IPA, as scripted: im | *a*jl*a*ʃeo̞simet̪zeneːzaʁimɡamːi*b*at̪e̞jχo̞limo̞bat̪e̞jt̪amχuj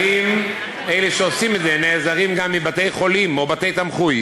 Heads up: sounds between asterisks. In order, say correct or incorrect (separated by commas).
incorrect, incorrect, correct